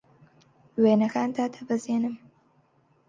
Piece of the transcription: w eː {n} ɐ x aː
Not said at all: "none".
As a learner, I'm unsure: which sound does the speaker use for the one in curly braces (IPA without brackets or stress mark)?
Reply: n